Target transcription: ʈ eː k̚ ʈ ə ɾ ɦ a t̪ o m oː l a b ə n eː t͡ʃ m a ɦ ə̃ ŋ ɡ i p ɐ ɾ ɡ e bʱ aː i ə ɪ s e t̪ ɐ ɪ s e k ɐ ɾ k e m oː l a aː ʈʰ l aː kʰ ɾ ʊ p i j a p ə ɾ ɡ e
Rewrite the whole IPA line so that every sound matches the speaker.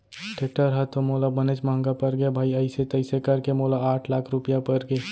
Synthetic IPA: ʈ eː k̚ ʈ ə ɾ ɦ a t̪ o m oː l a b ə n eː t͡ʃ m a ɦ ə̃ ŋ ɡ a p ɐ ɾ ɡ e bʱ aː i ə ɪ s e t̪ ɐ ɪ s e k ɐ ɾ k e m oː l a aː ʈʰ l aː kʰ ɾ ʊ p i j a p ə ɾ ɡ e